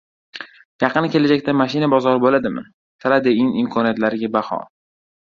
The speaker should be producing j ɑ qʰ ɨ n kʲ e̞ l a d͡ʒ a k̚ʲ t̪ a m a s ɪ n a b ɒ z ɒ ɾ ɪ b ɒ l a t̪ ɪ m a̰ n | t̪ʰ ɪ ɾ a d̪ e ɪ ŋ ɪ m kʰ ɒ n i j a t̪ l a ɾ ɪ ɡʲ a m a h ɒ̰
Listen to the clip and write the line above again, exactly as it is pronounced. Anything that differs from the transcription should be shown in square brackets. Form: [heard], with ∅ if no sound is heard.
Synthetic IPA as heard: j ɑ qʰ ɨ n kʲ e̞ l a d͡ʒ a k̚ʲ t̪ a m a [ʃ] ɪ n a b ɒ z ɒ ɾ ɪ b [o] l a [d̪] ɪ m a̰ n | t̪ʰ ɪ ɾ a d̪ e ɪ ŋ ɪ m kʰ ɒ n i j a t̪ l a ɾ ɪ ɡʲ a [b] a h ɒ̰